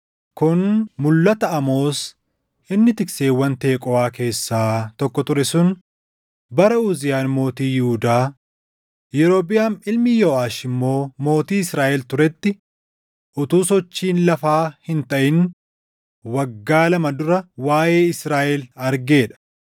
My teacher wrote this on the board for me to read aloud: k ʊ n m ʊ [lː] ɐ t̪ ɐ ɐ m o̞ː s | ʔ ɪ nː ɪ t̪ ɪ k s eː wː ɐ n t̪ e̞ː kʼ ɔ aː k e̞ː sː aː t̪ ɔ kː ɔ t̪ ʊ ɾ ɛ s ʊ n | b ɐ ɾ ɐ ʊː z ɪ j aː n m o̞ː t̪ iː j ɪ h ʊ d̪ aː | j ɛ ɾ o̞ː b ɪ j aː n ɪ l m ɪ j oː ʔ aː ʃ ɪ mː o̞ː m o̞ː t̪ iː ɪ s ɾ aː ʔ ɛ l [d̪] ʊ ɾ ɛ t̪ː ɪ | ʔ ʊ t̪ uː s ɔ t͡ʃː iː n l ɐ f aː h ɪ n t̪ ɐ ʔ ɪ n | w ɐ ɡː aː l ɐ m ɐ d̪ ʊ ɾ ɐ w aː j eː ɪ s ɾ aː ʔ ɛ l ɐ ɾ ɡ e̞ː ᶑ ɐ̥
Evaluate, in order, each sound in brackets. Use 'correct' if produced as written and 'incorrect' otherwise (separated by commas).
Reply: correct, incorrect